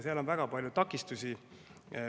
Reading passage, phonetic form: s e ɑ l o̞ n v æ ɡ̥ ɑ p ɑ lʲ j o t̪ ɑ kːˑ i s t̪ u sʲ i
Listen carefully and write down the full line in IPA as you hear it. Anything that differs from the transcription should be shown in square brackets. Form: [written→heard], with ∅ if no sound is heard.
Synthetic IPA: s e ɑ l o̞ n v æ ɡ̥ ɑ p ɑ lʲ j [o→u] t̪ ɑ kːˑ i s t̪ u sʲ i